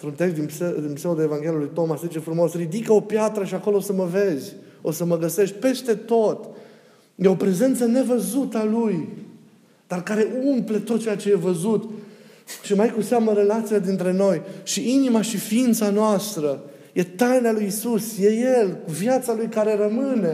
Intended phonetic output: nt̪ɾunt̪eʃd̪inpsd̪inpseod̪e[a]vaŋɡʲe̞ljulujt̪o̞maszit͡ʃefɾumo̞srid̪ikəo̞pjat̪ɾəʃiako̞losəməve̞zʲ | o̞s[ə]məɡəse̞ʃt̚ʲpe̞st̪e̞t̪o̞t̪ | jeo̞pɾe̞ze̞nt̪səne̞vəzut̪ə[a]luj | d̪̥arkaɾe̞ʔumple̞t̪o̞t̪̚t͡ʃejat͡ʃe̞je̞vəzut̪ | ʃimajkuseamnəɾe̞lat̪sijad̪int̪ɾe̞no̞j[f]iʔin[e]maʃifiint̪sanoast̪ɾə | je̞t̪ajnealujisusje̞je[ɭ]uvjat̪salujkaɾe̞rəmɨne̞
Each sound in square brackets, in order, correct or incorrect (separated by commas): incorrect, correct, correct, incorrect, incorrect, incorrect